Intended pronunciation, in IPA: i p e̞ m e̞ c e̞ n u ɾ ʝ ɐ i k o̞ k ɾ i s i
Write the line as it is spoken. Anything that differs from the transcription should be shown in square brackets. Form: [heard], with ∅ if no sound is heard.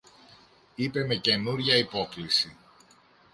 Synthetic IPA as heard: i p e̞ m e̞ c e̞ n u ɾ ʝ ɐ i [p] o̞ k [l] i s i